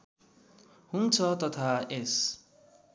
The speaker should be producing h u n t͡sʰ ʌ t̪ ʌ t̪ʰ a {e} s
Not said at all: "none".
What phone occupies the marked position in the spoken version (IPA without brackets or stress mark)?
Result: e